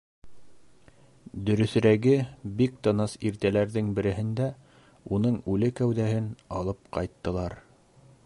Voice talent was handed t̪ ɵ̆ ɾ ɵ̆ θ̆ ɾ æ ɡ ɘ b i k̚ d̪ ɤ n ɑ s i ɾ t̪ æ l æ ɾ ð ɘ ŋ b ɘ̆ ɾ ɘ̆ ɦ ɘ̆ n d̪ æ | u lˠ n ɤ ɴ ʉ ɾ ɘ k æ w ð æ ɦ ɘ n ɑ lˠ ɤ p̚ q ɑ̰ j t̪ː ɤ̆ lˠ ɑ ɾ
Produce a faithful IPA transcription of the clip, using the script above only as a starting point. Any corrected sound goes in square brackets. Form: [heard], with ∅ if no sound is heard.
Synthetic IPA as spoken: [d̪] ɵ̆ ɾ ɵ̆ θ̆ ɾ æ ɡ ɘ b i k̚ [t̪] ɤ n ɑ s i ɾ t̪ æ l æ ɾ ð ɘ ŋ b ɘ̆ ɾ ɘ̆ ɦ ɘ̆ n d̪ æ | u [∅] n ɤ ɴ ʉ [l] ɘ k æ w ð æ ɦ ɘ n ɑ lˠ ɤ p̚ q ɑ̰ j t̪ː ɤ̆ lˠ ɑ ɾ